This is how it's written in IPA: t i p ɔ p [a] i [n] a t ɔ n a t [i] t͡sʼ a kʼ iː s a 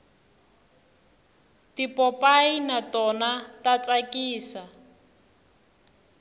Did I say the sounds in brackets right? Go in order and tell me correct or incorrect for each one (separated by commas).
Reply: correct, correct, incorrect